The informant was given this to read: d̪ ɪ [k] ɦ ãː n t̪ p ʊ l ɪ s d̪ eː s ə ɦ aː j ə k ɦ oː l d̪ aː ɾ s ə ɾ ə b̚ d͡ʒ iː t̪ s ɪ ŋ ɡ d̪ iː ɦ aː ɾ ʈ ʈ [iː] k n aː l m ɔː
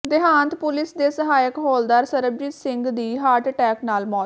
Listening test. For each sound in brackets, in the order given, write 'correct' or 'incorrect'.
incorrect, incorrect

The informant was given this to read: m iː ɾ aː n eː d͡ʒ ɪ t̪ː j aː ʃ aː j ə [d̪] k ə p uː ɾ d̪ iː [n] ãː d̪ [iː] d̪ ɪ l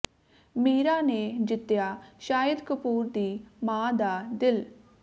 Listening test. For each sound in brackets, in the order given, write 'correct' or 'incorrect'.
correct, incorrect, incorrect

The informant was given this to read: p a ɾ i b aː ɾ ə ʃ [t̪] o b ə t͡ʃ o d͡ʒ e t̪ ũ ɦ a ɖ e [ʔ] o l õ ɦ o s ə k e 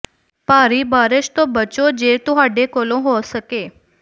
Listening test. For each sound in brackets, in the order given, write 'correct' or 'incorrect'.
correct, incorrect

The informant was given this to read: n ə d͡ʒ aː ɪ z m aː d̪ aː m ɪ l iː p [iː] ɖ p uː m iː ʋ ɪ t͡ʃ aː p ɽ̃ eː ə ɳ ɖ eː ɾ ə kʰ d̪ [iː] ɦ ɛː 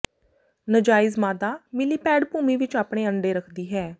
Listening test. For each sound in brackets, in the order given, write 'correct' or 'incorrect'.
incorrect, correct

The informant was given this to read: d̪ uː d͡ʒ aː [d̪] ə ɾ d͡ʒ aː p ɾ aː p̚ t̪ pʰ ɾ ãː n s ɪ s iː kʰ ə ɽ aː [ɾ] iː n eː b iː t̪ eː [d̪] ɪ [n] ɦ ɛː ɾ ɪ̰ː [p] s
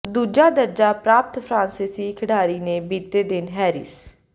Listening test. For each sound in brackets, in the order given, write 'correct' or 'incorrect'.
correct, correct, correct, correct, incorrect

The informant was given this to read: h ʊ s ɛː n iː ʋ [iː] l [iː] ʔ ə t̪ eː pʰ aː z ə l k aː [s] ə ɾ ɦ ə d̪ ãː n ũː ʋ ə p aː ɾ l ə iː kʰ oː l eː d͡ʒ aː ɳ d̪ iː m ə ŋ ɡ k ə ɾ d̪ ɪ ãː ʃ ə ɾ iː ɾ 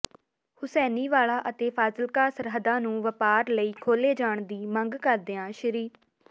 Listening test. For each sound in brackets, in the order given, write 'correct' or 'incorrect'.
incorrect, incorrect, correct

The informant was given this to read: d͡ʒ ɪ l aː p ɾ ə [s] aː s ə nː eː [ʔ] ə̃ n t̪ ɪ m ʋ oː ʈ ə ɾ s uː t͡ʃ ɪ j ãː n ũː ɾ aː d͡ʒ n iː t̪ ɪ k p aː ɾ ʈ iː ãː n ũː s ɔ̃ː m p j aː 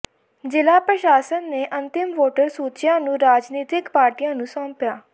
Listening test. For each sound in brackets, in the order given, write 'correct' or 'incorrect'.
incorrect, correct

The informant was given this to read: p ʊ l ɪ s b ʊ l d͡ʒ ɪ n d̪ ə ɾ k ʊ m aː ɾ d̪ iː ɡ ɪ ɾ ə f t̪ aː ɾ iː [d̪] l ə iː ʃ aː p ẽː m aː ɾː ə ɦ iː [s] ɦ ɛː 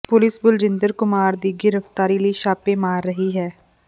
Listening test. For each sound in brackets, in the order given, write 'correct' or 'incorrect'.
incorrect, incorrect

